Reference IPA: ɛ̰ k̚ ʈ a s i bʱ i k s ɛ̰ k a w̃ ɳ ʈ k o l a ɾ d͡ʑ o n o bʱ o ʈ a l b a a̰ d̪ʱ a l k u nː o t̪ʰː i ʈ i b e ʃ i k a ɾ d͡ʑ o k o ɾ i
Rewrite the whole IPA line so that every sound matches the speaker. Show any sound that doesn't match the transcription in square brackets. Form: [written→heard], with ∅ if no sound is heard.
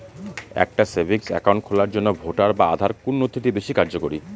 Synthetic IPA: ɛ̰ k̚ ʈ a s [i→e] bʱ i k s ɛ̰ k a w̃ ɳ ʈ [k→kʰ] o l a ɾ d͡ʑ o [n→nː] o bʱ o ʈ a [l→ɾ] b a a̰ d̪ʱ a [l→ɾ] k u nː o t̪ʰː i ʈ i b e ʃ i k a ɾ d͡ʑ o k o ɾ i